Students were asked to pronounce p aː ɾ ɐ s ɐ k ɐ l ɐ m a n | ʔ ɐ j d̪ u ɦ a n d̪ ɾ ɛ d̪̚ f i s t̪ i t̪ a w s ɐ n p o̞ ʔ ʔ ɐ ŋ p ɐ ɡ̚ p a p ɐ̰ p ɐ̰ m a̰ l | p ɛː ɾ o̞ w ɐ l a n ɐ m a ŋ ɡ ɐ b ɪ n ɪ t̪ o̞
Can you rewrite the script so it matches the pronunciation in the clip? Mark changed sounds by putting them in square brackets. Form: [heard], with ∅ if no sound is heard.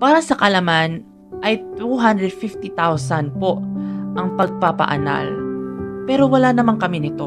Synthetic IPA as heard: p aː ɾ ɐ s ɐ k ɐ l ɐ m a n | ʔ ɐ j [t̪] u ɦ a n d̪ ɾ ɛ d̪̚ f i [f] t̪ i t̪ a w s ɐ n p o̞ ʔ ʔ ɐ ŋ p ɐ ɡ̚ p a p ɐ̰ [ʔ] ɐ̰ [n] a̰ l | p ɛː ɾ o̞ w ɐ l a n ɐ m a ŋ [k] ɐ [m] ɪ n ɪ t̪ o̞